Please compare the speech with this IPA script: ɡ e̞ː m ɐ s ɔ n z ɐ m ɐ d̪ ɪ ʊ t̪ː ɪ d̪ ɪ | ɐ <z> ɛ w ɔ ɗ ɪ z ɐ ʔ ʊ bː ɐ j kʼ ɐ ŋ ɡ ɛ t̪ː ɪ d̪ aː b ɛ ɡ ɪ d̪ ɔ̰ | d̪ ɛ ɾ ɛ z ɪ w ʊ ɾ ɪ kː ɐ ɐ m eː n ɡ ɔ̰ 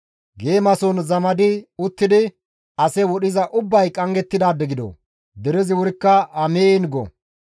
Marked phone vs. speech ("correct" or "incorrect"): incorrect